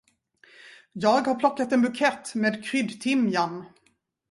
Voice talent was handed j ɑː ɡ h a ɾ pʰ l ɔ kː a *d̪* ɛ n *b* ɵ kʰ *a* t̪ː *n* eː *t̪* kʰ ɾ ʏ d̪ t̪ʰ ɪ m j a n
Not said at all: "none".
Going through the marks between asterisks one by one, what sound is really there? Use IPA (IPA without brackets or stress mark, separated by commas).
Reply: t̪, b, ɛ, m, d̪